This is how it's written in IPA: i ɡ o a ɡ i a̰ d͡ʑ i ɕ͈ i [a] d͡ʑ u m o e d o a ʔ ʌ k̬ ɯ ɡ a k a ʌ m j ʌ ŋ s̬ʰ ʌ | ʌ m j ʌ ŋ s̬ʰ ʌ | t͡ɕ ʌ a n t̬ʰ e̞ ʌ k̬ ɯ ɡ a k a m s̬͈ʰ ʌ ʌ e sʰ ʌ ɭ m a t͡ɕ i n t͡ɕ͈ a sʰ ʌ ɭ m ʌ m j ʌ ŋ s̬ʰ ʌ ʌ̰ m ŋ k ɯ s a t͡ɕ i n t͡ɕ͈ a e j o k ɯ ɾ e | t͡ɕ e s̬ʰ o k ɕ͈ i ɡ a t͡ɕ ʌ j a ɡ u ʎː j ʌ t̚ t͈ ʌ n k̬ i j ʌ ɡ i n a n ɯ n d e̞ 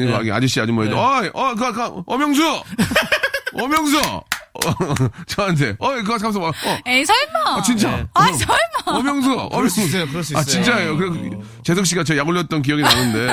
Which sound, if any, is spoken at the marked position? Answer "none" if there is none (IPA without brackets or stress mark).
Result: a